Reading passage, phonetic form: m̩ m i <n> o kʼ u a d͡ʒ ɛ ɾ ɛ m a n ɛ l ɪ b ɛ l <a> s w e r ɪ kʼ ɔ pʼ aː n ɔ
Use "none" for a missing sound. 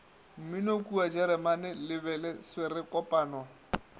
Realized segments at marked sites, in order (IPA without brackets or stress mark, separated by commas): n, ɛ